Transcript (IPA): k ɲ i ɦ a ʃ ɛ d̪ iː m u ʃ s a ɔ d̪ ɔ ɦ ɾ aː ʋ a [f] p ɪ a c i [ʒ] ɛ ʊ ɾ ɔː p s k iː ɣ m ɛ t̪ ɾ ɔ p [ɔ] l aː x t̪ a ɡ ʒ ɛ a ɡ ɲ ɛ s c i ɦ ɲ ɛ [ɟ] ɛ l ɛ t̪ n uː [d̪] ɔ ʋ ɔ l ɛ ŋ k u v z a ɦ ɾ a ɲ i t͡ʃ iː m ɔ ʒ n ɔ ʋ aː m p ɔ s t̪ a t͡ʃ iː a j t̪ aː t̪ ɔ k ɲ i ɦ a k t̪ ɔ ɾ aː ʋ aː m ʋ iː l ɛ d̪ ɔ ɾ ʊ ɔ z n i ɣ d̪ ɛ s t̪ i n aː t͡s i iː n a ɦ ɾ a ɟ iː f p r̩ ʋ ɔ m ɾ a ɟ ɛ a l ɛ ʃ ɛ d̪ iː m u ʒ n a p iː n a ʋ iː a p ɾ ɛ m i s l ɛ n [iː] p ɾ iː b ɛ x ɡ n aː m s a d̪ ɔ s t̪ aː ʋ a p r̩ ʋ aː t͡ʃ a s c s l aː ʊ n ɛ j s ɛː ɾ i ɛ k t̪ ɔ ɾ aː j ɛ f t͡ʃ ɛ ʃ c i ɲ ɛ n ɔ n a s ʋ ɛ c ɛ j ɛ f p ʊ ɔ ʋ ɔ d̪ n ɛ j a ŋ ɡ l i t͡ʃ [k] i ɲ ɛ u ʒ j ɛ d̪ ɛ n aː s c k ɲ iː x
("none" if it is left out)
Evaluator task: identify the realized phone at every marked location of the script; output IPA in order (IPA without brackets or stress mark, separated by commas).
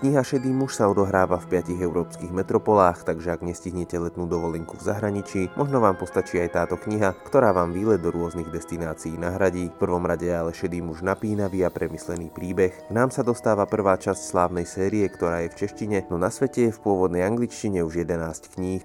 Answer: f, ɣ, ɔ, c, d̪, iː, c